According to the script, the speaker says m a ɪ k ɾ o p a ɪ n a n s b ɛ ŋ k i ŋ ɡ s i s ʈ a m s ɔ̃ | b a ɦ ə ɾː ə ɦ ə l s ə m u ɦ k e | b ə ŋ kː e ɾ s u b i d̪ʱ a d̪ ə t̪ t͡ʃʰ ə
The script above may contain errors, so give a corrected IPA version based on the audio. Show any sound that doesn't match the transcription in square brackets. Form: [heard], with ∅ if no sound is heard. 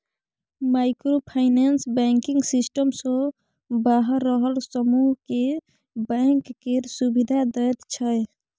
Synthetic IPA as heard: m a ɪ k ɾ o [pʰ] a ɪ n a n s b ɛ ŋ k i ŋ ɡ s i s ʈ [ə] m s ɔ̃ | b a ɦ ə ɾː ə ɦ ə l s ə m u ɦ k e | b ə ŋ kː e ɾ s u b i d̪ʱ a d̪ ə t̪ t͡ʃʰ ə